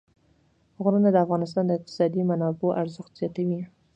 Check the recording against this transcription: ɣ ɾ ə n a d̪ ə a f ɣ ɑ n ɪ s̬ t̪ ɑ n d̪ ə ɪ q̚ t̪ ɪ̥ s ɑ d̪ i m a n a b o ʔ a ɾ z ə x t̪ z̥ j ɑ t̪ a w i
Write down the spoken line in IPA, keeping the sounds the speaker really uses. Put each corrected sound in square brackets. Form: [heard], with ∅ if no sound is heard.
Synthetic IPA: ɣ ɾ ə n a d̪ ə a f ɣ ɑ n ɪ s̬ t̪ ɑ n d̪ ə ɪ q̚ t̪ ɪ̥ s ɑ d̪ i m a n [ɑ] b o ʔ a ɾ z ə x t̪ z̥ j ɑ t̪ a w i